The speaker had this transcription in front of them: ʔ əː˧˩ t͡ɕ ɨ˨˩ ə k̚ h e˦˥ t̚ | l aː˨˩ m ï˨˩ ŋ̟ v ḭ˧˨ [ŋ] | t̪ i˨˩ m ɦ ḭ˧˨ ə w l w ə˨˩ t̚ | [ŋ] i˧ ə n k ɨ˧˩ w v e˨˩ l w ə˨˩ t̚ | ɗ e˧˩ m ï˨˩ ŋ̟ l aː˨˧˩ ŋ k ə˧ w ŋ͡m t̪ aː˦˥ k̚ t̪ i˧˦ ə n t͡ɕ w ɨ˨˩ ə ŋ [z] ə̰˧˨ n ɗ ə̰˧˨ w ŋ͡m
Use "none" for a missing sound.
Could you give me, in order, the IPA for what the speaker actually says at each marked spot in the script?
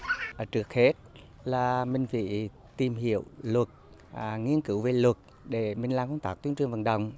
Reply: none, ŋ, v

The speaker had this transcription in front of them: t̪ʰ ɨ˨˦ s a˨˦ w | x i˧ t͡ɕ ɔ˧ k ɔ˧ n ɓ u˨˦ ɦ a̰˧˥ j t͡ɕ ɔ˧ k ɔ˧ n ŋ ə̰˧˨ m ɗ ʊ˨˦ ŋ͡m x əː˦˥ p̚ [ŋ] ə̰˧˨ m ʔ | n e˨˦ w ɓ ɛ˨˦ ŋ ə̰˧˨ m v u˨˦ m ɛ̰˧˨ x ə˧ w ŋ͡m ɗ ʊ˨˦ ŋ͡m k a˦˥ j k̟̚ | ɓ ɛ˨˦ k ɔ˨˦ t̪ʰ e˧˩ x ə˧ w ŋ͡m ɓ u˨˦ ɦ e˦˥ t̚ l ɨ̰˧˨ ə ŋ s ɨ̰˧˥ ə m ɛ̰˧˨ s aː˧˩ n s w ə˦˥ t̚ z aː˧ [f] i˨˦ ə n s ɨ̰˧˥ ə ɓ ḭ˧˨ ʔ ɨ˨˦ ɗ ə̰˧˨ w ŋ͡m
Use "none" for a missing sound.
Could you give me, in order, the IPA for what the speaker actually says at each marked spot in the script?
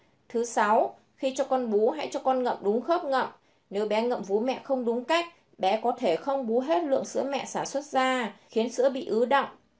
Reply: ŋ, x

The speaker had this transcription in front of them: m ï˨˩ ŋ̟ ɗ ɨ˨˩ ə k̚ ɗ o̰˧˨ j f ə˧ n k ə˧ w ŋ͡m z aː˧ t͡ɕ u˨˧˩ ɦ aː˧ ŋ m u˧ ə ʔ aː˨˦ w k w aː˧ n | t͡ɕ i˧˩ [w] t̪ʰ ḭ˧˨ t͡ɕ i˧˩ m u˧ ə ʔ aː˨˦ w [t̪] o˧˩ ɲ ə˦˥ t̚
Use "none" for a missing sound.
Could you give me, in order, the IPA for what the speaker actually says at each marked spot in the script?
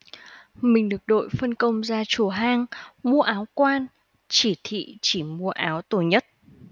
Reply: none, t̪

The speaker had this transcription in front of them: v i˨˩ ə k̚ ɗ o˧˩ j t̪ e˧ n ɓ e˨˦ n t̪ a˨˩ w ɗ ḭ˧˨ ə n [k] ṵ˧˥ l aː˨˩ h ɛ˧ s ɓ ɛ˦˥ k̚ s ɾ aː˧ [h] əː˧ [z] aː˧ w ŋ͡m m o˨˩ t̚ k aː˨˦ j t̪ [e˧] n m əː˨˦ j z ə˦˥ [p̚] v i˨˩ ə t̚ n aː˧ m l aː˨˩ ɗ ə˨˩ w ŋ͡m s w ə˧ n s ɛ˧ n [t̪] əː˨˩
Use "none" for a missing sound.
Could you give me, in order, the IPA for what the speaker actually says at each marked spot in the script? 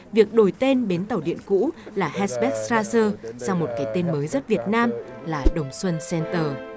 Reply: k, s, s, e˧, t̚, t̪

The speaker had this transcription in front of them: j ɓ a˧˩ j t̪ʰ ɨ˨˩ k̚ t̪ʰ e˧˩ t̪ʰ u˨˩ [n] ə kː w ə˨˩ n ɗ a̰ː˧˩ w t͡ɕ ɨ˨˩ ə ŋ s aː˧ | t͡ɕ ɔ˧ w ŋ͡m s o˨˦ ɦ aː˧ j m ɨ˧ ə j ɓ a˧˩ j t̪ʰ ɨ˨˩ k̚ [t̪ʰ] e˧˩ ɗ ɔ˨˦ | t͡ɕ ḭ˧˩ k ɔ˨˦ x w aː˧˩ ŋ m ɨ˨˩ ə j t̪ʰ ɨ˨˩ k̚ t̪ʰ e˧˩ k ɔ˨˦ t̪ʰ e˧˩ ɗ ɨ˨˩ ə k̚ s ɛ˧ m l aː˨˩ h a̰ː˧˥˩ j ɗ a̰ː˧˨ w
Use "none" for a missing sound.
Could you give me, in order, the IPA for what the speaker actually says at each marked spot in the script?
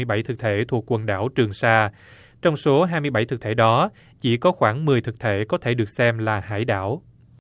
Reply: none, t̪ʰ

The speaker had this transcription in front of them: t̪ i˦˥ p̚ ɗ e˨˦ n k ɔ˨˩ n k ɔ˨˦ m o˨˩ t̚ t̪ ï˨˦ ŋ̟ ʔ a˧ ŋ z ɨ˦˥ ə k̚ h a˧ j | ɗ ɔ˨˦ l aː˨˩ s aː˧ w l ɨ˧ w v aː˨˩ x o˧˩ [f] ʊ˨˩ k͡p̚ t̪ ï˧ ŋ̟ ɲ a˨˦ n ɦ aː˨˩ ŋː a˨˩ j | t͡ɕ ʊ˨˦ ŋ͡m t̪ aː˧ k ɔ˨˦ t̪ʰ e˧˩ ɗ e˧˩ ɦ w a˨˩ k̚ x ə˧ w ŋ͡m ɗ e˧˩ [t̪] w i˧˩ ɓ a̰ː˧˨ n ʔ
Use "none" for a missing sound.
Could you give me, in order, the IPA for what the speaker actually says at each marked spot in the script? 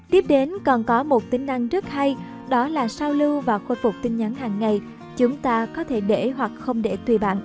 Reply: f, t̪

